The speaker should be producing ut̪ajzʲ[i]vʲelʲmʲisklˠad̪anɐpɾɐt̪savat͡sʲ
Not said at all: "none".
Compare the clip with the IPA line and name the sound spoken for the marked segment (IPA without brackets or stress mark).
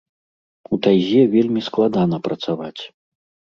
ɛ